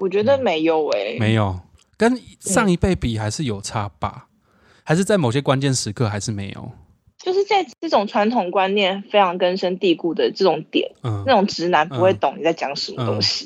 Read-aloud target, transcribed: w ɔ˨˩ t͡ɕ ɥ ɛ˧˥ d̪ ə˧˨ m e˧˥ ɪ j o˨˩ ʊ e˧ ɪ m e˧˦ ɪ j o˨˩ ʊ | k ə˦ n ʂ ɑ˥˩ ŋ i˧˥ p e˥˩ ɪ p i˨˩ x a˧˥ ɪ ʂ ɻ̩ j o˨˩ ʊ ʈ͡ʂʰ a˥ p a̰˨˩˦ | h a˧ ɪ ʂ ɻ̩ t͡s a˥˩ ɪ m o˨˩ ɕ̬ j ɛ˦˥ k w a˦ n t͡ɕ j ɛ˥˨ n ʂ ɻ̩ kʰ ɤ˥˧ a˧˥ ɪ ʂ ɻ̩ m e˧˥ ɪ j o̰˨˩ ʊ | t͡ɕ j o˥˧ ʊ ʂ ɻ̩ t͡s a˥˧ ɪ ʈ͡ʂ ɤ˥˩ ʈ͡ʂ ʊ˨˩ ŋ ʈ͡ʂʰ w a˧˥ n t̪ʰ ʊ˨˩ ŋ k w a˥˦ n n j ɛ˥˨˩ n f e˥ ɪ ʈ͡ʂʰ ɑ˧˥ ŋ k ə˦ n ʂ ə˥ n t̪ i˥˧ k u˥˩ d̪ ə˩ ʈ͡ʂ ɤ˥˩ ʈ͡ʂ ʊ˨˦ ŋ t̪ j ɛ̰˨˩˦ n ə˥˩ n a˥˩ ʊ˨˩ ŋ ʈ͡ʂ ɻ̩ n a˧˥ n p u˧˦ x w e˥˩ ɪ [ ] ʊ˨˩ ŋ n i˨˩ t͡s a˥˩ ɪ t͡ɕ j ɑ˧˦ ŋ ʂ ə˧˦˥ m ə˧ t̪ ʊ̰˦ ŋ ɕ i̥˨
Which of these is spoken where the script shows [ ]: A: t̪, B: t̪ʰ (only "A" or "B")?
A